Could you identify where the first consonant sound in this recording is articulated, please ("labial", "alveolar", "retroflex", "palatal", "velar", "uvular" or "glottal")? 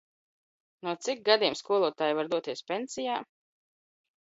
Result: alveolar